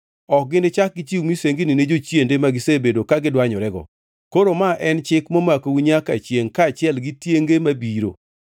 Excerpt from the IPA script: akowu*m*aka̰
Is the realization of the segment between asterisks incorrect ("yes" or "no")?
yes